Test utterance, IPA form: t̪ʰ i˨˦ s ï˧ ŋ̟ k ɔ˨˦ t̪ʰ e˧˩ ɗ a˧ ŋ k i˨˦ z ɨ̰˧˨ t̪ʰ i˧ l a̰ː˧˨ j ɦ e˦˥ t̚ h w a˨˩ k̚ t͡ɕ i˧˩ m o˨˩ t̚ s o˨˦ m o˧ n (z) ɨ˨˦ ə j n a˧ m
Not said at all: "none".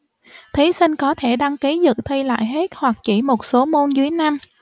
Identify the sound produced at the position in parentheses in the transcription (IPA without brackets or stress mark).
z